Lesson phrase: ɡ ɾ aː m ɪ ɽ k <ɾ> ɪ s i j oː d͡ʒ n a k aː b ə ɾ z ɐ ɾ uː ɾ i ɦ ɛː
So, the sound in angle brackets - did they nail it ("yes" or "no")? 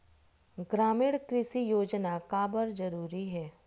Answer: yes